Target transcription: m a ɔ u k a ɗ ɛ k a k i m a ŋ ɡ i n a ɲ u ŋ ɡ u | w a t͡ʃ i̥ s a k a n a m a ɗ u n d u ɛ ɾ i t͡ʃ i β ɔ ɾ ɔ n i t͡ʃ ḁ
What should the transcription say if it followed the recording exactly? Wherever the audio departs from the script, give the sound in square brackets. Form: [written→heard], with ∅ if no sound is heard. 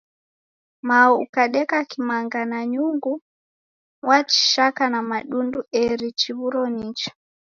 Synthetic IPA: m a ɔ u k a ɗ ɛ k a k i m a ŋ ɡ [i→a] n a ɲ u ŋ ɡ u | w a t͡ʃ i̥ [s→ʃ] a k a n a m a ɗ u n d u ɛ ɾ i t͡ʃ i β [ɔ→u] ɾ ɔ n i t͡ʃ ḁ